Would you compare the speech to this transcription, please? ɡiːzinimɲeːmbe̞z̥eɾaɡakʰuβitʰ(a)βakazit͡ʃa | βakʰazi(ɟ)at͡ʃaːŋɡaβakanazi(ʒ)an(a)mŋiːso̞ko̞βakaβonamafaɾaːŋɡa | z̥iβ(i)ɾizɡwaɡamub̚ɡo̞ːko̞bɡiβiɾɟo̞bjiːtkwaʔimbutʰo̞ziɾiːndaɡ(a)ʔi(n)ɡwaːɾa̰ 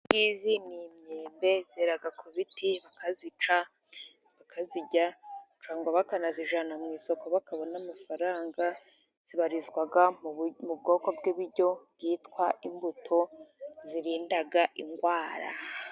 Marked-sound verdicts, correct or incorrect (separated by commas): incorrect, correct, correct, correct, incorrect, correct, incorrect